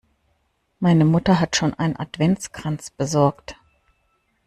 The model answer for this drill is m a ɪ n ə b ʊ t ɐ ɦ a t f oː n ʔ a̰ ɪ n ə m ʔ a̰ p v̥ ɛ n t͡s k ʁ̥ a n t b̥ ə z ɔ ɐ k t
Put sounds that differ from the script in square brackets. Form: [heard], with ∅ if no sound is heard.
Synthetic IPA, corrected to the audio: m a ɪ n ə [m] ʊ t ɐ ɦ a t [ʃ] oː n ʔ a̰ ɪ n ə [n] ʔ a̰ [t] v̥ ɛ n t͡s k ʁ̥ a n [t͡s] b̥ ə z ɔ ɐ k t